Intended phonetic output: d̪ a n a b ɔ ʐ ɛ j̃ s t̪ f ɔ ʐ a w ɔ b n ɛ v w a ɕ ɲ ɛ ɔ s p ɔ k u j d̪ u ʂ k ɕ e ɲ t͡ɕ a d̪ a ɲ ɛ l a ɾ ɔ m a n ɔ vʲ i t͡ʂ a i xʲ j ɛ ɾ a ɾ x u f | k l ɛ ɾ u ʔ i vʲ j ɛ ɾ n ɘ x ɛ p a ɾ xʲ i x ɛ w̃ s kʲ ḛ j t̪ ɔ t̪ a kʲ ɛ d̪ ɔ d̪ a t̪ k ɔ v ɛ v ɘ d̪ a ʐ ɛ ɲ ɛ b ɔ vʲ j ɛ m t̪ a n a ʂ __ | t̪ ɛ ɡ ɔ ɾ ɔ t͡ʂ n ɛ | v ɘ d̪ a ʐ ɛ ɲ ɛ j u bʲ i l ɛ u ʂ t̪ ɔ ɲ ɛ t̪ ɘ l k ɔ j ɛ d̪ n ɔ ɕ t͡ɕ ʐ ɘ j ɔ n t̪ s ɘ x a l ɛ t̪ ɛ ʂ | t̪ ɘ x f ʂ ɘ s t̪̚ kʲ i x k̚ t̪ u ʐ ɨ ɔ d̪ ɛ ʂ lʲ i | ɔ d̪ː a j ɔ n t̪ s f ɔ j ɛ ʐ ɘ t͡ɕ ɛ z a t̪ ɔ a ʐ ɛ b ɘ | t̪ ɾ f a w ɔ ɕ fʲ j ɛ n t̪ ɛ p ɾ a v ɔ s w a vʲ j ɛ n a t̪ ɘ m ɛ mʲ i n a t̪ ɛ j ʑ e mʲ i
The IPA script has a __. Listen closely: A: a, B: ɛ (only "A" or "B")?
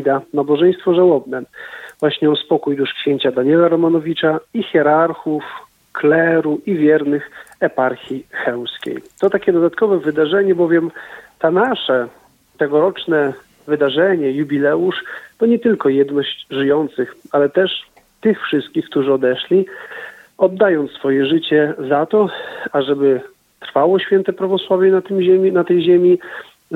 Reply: B